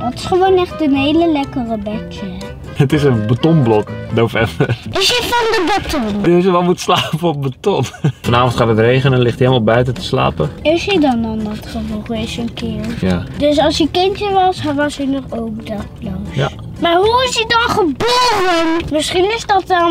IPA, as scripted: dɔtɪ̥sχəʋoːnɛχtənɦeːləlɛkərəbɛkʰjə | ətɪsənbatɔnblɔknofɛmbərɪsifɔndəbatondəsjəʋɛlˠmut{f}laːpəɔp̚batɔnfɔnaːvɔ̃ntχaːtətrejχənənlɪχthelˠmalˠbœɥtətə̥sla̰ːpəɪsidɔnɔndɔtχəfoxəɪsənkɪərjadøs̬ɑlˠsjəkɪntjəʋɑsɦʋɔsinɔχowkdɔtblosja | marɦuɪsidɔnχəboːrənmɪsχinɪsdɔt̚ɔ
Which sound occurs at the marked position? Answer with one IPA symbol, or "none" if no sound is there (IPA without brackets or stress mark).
s